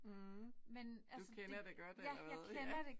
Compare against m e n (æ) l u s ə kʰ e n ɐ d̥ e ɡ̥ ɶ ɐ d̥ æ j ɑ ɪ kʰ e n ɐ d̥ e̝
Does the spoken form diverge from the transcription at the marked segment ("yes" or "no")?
no